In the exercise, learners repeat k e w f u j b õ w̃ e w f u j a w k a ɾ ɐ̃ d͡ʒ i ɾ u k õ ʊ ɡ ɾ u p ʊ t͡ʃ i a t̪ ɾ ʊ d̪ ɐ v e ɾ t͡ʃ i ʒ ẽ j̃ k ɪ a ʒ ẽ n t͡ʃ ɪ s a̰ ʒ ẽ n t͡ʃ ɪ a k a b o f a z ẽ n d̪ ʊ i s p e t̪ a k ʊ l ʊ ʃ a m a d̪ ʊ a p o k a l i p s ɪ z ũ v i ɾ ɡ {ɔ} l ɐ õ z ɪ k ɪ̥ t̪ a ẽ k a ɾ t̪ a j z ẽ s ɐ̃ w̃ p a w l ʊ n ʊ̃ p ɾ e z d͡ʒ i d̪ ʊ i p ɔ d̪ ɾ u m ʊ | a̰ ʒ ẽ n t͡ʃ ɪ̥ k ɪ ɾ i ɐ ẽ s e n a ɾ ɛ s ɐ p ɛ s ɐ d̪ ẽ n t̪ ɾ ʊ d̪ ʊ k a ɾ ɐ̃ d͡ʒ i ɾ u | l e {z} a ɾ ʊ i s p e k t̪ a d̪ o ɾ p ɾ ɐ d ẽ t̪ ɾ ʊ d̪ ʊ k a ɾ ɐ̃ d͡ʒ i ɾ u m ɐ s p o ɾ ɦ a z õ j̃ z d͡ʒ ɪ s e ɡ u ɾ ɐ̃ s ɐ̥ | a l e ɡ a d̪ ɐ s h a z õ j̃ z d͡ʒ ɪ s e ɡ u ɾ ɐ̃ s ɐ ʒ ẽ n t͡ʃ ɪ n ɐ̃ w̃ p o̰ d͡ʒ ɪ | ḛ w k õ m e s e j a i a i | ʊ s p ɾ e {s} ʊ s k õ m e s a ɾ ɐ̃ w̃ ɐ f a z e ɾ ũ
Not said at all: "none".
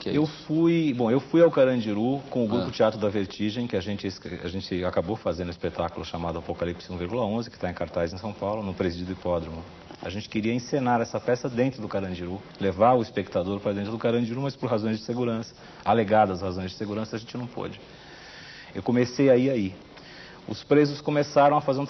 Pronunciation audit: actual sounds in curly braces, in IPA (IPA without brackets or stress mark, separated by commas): u, v, z